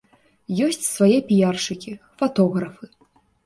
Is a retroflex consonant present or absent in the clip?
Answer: present